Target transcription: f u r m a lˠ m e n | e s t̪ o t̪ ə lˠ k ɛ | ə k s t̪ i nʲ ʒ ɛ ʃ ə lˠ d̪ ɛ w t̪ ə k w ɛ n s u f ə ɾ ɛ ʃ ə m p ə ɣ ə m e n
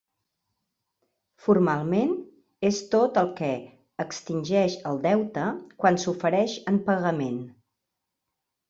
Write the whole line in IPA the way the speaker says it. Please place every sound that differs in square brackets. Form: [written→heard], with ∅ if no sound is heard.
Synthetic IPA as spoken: f u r m a lˠ m e n | e s t̪ o t̪ ə lˠ k ɛ | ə k s t̪ i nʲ ʒ ɛ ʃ ə lˠ d̪ ɛ w t̪ ə k w [ɛ→a] n s u f ə ɾ ɛ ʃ ə m p ə ɣ ə m e n